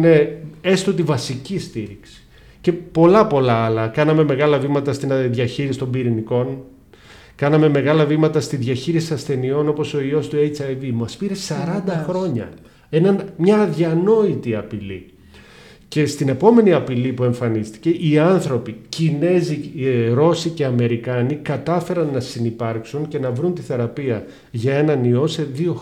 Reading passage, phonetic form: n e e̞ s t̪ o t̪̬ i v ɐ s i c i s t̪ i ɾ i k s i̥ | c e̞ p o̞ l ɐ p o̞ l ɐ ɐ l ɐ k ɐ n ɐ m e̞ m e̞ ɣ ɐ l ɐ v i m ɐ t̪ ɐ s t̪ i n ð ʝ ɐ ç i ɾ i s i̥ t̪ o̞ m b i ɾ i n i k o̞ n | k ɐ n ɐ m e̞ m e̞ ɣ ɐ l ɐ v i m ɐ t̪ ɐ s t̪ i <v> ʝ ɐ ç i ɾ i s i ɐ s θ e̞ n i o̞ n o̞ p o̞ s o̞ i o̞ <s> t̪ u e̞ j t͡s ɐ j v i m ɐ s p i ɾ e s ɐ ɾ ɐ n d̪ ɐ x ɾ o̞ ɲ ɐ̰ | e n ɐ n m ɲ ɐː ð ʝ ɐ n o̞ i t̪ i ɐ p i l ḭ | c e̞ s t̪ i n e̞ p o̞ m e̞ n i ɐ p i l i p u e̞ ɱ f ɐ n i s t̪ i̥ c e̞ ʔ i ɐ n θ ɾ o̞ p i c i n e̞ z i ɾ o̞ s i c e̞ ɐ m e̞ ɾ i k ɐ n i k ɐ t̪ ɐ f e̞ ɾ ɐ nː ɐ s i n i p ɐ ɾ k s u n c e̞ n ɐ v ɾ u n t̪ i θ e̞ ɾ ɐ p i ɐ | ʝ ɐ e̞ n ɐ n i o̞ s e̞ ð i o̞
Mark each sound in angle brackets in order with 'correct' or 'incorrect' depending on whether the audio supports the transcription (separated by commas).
incorrect, correct